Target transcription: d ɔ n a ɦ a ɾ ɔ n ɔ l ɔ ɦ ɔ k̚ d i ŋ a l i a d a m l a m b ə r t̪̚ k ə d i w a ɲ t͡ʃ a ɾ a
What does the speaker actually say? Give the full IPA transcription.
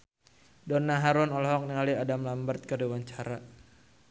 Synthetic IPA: d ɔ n a ɦ a ɾ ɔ n ɔ l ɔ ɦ ɔ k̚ n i ŋ a l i a d a m l a m b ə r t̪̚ k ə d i w a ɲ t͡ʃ a ɾ a